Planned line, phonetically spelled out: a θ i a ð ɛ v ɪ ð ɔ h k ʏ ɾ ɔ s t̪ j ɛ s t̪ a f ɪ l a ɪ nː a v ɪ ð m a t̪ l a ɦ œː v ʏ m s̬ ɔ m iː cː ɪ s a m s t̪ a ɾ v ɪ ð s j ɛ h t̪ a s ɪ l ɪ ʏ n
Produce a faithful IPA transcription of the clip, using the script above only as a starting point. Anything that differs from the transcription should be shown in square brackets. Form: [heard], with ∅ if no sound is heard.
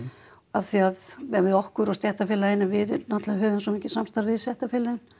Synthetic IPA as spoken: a θ i a ð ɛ v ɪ ð ɔ h k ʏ ɾ ɔ s t̪ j ɛ [h] t̪ a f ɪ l a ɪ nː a v ɪ ð [n] a t̪ l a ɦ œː v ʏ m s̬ ɔ m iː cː ɪ s a m s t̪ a ɾ v ɪ ð s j ɛ h t̪ a [f] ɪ l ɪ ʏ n